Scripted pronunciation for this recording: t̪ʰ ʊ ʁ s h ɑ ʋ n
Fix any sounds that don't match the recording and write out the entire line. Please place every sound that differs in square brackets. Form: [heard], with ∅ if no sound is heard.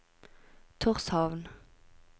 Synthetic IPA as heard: t̪ʰ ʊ ʁ s h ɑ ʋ n